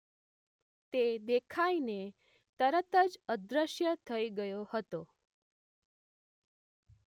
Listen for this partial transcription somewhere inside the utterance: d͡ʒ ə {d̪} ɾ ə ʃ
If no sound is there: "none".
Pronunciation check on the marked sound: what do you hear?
d̪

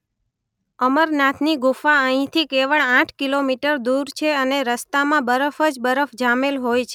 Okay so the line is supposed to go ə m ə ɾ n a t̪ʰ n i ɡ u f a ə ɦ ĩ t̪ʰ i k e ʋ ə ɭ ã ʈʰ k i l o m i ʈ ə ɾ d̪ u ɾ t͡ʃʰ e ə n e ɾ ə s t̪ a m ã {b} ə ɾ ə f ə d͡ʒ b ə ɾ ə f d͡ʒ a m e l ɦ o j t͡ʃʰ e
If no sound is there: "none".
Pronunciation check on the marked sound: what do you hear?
b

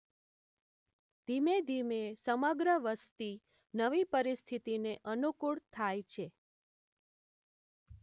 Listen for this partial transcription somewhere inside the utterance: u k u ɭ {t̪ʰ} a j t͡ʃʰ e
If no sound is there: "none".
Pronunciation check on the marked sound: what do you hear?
t̪ʰ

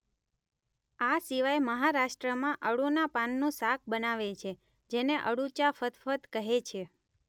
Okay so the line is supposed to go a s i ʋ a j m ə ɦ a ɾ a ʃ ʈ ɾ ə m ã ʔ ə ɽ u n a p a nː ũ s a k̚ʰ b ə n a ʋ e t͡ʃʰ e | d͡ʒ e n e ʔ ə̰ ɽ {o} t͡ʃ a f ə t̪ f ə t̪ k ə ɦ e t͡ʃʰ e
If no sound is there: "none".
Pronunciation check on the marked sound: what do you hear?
u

